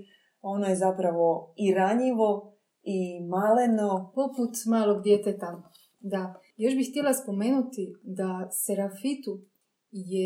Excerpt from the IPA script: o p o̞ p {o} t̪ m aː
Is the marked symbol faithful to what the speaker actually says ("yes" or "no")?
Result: no